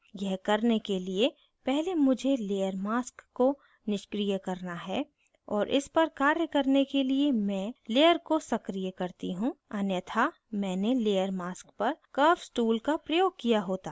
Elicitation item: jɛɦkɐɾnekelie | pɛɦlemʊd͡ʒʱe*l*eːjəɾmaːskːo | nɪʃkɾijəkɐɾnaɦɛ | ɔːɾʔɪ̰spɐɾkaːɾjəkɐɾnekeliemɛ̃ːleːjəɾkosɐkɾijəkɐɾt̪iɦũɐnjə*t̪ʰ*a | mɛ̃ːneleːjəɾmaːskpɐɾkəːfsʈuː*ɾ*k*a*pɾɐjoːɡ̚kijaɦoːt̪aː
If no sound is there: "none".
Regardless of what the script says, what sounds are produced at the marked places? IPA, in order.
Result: l, t̪ʰ, l, a

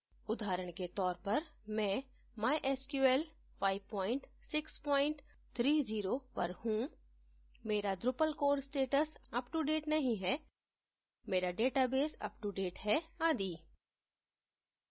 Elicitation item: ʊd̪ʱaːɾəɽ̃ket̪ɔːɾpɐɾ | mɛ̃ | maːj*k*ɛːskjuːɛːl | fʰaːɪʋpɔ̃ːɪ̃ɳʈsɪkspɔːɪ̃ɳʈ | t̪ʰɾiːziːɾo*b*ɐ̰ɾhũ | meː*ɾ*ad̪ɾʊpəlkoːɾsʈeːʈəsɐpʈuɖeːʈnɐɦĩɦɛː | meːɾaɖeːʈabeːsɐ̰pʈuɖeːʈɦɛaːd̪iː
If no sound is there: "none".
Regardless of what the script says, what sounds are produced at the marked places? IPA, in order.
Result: ʔ, p, ɾ

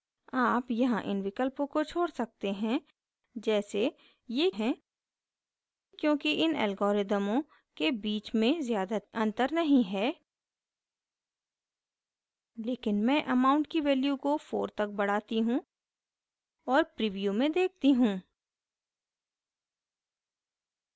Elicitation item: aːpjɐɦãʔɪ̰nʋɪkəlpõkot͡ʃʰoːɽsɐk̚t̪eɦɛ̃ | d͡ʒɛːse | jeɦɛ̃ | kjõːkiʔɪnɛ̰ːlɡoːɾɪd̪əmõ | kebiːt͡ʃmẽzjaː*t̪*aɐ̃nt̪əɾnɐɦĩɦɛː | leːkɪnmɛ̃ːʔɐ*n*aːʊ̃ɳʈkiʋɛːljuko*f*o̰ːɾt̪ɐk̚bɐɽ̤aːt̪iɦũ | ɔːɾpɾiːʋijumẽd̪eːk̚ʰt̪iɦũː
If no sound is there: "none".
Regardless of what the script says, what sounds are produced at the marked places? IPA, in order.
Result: d̪, m, f

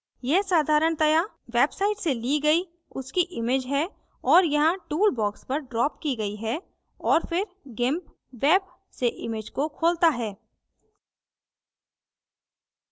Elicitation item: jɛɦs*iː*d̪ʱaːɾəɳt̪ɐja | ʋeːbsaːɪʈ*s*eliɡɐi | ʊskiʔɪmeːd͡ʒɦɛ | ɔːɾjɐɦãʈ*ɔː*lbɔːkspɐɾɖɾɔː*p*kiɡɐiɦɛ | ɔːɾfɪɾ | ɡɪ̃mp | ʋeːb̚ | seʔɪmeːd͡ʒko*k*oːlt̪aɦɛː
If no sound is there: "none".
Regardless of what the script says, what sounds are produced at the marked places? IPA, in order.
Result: aː, s, uː, p, kʰ

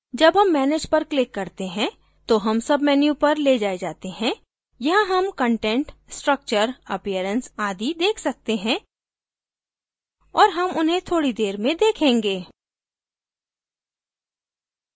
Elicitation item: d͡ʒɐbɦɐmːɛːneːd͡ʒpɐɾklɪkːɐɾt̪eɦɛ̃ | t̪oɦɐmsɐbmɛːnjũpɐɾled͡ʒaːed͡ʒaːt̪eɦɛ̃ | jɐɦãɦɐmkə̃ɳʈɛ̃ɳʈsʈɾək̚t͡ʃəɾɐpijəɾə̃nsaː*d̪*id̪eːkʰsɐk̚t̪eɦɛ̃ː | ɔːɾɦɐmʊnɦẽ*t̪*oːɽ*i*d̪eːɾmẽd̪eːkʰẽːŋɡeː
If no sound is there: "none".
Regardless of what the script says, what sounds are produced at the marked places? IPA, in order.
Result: d̪, t̪ʰ, i

